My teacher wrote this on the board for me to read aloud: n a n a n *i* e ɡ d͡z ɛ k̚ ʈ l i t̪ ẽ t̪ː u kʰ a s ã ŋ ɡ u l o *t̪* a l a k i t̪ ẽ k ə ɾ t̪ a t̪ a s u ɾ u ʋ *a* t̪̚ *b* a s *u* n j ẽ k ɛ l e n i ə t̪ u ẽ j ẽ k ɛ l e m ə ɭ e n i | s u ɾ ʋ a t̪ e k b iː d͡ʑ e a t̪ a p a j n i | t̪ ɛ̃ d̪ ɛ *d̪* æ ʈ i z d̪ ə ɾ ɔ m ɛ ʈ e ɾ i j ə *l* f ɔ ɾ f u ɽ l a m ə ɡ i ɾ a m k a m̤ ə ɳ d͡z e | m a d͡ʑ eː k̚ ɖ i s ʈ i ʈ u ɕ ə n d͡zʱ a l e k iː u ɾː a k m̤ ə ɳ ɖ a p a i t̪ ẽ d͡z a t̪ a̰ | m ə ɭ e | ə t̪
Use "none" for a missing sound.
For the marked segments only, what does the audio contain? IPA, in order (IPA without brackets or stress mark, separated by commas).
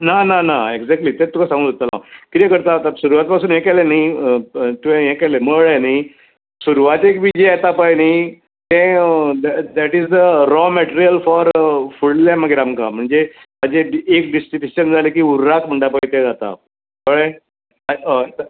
a, t̪, a, p, uː, d̪, l